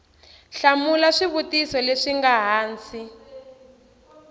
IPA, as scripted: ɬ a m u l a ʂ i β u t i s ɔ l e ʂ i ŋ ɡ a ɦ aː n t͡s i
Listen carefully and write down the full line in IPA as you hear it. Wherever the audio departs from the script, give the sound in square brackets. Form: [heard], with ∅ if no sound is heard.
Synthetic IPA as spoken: ɬ a m u l a ʂ i β u t i s ɔ l e ʂ i ŋ ɡ a ɦ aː n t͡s i